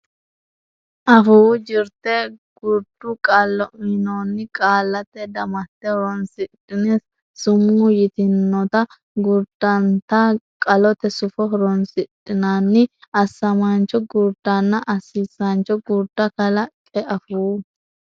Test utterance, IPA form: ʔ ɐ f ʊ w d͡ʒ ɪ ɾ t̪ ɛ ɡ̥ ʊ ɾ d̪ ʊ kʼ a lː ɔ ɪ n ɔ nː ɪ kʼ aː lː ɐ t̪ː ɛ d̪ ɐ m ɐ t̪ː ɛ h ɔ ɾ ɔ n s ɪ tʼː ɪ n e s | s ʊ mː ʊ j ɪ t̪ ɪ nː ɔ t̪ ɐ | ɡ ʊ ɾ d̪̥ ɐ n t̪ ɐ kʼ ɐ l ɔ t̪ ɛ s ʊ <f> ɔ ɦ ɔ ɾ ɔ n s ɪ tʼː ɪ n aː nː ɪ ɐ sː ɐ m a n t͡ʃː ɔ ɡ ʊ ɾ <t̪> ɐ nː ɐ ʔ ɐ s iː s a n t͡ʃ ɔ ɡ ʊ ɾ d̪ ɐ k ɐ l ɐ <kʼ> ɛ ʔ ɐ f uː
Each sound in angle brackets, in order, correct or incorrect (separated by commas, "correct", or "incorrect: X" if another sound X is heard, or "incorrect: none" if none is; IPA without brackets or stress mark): correct, incorrect: d̪, correct